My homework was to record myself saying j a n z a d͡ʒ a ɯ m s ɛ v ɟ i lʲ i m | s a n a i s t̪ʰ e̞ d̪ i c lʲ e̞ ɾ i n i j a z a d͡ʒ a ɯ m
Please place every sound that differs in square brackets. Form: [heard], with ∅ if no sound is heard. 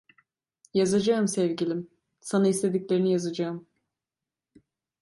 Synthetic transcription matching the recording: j a [∅] z a d͡ʒ a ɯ m s ɛ v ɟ i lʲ i m | s a n a i s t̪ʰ e̞ d̪ i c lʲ e̞ ɾ i n i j a z a d͡ʒ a ɯ m